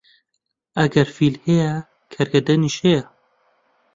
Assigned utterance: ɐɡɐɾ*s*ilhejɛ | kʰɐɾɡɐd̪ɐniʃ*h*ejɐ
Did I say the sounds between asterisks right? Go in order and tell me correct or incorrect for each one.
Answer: incorrect, correct

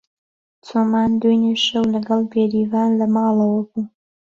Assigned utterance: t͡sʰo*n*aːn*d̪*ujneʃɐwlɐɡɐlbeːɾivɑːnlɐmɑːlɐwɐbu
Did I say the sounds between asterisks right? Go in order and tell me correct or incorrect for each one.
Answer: incorrect, correct

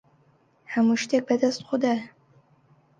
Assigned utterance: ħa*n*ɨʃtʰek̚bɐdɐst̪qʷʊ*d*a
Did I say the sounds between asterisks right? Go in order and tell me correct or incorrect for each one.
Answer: incorrect, correct

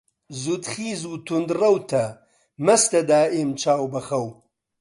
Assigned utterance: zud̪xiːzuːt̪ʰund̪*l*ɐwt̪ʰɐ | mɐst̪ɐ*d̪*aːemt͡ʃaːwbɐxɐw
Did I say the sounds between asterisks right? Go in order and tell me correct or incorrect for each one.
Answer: incorrect, correct

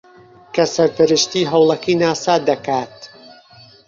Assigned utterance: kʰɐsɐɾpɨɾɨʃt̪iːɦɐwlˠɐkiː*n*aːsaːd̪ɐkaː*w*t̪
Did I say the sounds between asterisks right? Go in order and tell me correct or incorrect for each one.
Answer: correct, incorrect

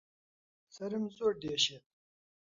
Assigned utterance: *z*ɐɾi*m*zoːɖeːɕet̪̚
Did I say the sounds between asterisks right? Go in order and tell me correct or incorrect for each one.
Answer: incorrect, correct

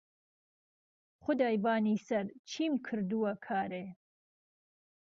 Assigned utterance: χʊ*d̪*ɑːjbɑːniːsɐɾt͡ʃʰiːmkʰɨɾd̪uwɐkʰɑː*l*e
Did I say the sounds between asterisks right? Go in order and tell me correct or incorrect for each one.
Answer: correct, incorrect

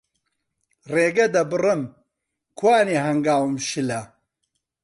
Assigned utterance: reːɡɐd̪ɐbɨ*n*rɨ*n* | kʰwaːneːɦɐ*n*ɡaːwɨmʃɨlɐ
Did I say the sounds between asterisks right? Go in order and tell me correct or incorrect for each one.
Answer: incorrect, incorrect, incorrect

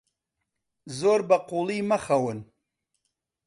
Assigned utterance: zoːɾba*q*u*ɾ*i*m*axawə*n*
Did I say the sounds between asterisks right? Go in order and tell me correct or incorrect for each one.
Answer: correct, incorrect, correct, correct

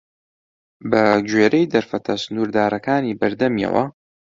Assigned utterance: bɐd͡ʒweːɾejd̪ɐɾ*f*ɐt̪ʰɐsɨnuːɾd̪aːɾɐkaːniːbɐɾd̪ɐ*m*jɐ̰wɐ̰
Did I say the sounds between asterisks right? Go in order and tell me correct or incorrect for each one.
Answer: correct, correct

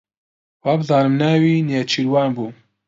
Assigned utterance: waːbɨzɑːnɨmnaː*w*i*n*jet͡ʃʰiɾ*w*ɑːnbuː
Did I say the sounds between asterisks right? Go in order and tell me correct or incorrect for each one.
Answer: correct, correct, correct

